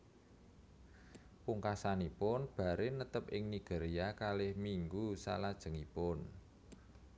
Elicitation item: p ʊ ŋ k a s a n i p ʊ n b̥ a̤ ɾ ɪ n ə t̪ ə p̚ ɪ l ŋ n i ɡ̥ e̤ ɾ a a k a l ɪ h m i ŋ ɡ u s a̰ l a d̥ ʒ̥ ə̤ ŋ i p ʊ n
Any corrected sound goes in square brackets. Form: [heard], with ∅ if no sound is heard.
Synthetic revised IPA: p [u] ŋ k a s a n i p ʊ n b̥ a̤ ɾ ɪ n ə t̪ ə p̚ ɪ [∅] ŋ n i ɡ̥ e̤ ɾ [i] a k a l ɪ h m i ŋ ɡ u s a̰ l a d̥ ʒ̥ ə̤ ŋ i p ʊ n